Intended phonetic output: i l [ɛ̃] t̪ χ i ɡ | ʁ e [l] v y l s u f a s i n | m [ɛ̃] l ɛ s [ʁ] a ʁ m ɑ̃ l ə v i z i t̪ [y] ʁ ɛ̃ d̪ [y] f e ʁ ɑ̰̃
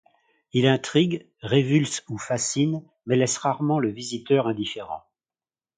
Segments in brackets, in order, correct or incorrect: correct, incorrect: none, incorrect: ɛ, correct, incorrect: œ, incorrect: i

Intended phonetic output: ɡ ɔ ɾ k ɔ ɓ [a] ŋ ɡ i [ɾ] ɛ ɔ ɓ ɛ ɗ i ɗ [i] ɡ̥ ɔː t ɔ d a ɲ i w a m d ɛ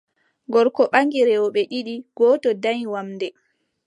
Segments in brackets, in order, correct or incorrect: correct, correct, correct

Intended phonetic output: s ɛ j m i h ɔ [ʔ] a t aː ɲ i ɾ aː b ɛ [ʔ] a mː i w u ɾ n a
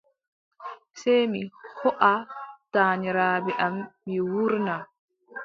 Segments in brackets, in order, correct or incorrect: correct, correct

